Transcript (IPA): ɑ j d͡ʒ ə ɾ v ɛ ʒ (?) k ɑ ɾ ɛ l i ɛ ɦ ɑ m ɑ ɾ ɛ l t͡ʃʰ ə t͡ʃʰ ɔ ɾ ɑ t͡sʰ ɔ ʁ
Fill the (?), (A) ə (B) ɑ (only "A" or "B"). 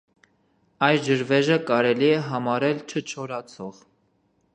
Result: A